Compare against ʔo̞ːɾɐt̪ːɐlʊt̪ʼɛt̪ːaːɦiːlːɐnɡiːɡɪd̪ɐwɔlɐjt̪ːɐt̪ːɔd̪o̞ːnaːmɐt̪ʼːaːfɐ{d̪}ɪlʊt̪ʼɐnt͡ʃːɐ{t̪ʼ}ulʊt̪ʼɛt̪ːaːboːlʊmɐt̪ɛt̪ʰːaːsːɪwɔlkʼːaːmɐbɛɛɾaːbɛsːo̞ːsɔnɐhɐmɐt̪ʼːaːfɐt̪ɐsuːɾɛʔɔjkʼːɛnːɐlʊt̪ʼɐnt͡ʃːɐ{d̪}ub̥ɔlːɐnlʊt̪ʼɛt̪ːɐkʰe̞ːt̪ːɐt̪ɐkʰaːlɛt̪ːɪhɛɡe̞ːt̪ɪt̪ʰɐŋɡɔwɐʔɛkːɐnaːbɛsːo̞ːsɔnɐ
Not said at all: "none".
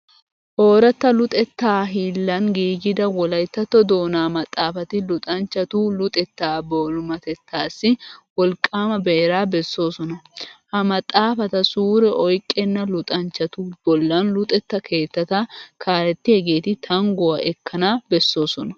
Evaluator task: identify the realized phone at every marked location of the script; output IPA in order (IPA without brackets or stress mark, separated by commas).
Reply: t̪, t̪, t̪